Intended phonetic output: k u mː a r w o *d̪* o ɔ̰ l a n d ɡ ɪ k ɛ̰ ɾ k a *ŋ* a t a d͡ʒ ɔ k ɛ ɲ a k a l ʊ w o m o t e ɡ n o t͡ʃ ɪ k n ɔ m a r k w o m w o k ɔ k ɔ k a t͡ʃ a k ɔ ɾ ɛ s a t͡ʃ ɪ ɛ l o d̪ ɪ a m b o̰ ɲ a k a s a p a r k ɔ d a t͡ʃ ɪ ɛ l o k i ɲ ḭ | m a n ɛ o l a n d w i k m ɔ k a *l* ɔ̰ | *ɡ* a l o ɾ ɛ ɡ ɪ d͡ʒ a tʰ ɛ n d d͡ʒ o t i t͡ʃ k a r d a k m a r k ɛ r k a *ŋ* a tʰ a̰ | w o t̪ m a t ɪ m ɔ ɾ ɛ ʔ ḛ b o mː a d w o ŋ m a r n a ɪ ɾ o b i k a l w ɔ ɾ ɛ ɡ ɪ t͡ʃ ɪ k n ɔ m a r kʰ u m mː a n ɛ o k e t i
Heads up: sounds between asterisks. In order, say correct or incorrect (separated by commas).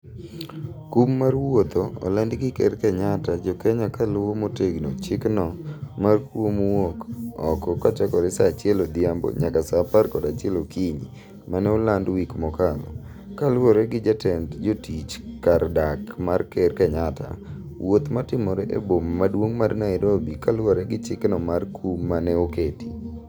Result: incorrect, incorrect, correct, incorrect, incorrect